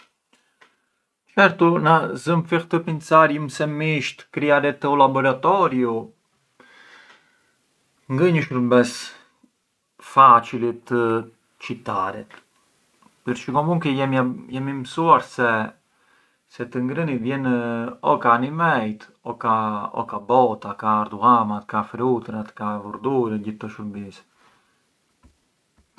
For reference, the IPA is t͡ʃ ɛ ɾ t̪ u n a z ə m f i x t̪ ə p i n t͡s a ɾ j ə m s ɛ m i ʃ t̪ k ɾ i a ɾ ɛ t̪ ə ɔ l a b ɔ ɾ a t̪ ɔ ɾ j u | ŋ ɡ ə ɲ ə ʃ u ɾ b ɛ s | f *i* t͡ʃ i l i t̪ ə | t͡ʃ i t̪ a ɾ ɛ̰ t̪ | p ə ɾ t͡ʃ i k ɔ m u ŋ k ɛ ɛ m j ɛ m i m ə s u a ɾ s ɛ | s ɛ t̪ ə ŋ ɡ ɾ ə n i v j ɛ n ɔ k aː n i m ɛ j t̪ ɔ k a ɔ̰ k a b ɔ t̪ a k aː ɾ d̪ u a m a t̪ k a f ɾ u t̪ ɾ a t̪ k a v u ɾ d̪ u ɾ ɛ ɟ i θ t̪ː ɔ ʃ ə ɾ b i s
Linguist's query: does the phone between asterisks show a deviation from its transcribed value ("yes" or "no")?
yes